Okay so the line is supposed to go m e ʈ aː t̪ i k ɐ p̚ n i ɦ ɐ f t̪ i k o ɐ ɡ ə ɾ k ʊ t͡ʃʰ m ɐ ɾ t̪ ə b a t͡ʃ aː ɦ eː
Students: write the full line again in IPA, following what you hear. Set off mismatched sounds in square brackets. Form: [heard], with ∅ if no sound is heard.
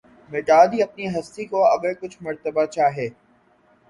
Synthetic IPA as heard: m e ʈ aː [d̪] i [∅] ɐ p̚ n i ɦ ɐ [s] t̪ i k o ɐ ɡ ə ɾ k ʊ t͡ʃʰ m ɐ ɾ t̪ ə b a t͡ʃ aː ɦ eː